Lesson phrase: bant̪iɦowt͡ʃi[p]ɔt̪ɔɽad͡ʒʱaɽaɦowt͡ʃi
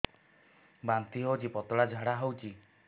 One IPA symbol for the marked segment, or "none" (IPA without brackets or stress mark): p